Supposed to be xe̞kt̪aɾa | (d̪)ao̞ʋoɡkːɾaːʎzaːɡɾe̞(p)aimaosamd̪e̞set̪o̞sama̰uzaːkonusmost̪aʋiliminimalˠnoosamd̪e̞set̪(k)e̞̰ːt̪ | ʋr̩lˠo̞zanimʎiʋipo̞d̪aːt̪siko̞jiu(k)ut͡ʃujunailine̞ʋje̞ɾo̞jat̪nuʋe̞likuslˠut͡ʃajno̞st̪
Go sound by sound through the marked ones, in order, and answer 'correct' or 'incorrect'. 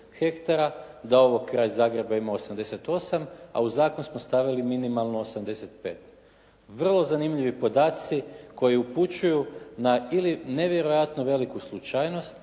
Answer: correct, incorrect: b, incorrect: p, incorrect: p

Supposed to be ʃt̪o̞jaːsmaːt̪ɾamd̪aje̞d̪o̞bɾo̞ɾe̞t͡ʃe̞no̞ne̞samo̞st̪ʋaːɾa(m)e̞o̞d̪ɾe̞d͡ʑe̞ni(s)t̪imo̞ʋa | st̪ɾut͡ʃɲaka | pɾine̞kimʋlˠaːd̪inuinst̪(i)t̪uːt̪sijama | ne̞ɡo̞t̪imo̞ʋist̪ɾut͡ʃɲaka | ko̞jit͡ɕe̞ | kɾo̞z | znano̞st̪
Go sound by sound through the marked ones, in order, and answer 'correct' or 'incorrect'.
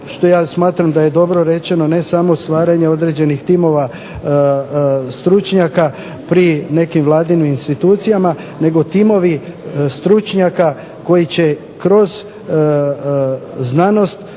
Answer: incorrect: ɲ, incorrect: x, correct

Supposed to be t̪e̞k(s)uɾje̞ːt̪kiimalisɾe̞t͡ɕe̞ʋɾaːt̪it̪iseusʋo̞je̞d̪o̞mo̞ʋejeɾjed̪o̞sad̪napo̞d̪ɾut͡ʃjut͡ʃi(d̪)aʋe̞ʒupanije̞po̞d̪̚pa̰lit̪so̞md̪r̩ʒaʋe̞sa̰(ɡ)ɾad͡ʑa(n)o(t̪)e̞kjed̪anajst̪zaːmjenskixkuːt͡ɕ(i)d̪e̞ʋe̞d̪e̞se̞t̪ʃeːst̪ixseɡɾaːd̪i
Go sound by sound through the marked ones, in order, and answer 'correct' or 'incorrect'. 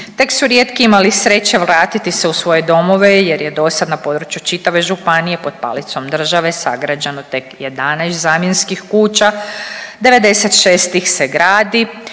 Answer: correct, incorrect: t̪, correct, correct, correct, incorrect: a

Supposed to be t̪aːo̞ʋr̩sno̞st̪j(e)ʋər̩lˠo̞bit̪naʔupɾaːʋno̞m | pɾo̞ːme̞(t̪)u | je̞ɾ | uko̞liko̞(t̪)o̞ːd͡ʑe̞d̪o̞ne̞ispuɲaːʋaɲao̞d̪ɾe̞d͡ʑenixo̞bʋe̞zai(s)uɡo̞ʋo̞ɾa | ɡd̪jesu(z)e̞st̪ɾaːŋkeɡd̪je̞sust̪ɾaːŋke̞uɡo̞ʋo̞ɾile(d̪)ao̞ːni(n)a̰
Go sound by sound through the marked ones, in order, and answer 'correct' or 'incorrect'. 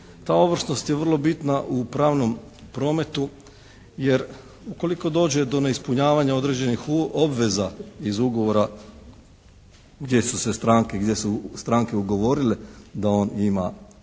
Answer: correct, correct, incorrect: d̪, incorrect: z, incorrect: s, correct, incorrect: m

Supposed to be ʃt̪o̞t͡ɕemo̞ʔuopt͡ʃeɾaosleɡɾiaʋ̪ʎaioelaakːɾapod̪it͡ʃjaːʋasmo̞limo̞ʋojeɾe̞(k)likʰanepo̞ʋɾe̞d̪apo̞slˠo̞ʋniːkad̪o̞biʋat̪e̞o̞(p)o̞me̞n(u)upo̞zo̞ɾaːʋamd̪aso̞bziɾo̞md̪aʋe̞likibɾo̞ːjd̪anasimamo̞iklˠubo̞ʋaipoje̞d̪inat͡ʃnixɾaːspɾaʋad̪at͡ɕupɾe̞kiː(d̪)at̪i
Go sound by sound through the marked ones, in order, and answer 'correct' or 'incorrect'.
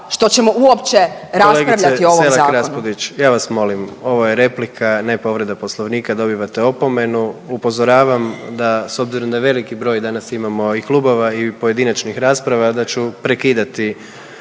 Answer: incorrect: p, correct, correct, correct

